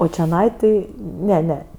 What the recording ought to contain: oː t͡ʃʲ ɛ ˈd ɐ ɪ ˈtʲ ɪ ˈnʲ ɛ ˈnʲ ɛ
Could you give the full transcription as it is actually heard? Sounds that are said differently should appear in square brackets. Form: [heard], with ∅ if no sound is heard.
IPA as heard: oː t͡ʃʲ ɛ [ˈn] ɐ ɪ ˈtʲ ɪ ˈnʲ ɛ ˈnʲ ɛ